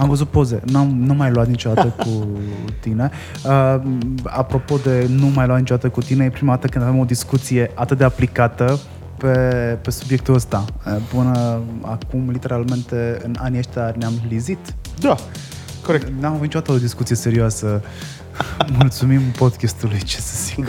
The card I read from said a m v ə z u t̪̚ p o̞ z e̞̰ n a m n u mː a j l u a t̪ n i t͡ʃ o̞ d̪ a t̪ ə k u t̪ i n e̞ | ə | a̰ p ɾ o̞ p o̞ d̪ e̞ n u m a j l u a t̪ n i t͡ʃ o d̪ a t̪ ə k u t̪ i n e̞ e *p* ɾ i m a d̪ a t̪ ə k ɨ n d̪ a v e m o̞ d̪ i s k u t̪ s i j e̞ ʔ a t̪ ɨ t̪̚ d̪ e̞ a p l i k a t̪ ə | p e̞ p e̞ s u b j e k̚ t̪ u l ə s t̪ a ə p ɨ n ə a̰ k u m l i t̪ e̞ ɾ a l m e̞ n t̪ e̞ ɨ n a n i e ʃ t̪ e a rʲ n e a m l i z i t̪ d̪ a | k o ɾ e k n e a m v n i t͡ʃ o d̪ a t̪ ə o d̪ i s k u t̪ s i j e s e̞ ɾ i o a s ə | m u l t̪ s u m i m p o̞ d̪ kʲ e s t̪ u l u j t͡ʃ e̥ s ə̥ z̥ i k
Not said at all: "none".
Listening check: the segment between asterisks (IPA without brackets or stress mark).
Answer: p